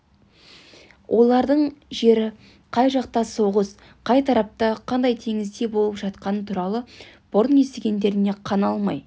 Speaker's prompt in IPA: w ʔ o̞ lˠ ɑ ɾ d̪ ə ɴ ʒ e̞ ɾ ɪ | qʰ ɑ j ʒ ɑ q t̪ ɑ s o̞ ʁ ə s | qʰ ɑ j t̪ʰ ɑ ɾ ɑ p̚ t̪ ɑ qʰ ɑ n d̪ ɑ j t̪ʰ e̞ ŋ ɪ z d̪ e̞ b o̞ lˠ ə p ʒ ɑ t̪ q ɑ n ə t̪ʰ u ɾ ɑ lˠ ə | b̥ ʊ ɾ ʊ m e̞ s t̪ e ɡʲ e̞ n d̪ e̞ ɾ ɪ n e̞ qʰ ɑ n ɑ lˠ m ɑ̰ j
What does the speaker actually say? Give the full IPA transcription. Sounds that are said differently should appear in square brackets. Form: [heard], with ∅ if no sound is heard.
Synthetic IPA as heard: w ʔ o̞ lˠ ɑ ɾ d̪ ə ɴ ʒ e̞ ɾ ɪ | qʰ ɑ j ʒ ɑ q t̪ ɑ s o̞ ʁ ə s | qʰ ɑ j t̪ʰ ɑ ɾ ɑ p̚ t̪ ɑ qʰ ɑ n d̪ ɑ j t̪ʰ e̞ ŋ ɪ z d̪ e̞ b o̞ lˠ ə p ʒ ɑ t̪ q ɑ n ə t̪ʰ u ɾ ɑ lˠ ə | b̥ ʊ ɾ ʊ [n] e̞ s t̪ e ɡʲ e̞ n d̪ e̞ ɾ ɪ n e̞ qʰ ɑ n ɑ lˠ m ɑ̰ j